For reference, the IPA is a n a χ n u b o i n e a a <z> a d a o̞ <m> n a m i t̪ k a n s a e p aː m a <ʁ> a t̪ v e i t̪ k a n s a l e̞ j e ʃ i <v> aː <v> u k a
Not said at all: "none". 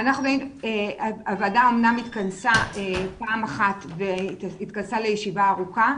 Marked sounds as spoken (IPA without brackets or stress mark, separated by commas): v, m, χ, v, ʁ